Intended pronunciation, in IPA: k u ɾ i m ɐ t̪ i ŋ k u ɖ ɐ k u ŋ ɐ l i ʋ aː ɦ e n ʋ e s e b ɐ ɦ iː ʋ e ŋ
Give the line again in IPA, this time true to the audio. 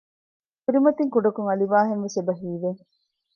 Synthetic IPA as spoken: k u ɾ i m ɐ t̪ i ŋ k u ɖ ɐ k u ŋ ɐ l i ʋ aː ɦ e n ʋ e s e b ɐ ɦ iː ʋ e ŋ